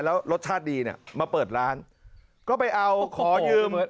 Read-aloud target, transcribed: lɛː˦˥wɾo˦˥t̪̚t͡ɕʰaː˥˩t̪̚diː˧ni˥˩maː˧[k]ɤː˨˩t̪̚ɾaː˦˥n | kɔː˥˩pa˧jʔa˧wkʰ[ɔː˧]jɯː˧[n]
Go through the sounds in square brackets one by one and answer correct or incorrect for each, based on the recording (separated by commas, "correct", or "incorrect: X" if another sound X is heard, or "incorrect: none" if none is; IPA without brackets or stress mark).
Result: incorrect: p, incorrect: ɔː˩˦, incorrect: m